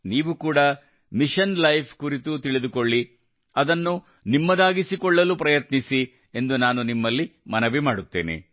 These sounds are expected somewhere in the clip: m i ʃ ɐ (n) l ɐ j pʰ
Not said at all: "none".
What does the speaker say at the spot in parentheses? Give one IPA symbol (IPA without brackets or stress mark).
n